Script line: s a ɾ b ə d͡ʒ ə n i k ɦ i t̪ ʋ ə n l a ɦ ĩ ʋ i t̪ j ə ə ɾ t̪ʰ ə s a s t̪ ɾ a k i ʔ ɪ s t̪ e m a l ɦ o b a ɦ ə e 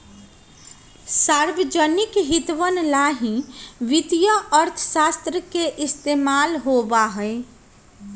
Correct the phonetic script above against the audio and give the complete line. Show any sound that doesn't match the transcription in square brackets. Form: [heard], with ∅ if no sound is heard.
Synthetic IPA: s a ɾ b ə d͡ʒ ə n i k ɦ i t̪ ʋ ə n l a ɦ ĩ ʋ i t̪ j ə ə ɾ t̪ʰ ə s a s t̪ ɾ [ə] k [e] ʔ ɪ s t̪ e m a l ɦ o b a ɦ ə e